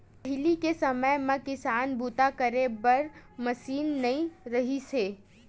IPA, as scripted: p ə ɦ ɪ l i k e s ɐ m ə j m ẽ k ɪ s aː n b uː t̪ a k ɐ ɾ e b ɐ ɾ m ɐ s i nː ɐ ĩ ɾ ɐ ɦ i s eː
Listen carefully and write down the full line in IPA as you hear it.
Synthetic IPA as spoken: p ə ɦ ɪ l i k e s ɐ m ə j m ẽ k ɪ s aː n b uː t̪ a k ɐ ɾ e b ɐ ɾ m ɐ s iː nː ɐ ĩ ɾ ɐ ɦ i s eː